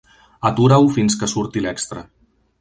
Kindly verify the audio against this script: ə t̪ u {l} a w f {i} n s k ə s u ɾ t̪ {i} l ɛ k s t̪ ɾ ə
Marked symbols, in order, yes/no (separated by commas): no, yes, yes